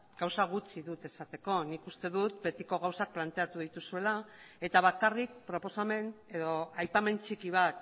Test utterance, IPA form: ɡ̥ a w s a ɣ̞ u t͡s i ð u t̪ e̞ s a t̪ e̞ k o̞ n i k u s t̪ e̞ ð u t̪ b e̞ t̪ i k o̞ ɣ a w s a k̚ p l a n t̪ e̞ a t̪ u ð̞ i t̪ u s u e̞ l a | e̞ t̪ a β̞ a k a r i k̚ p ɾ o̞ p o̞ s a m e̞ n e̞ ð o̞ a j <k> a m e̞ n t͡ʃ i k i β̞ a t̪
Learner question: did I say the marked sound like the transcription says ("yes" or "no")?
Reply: no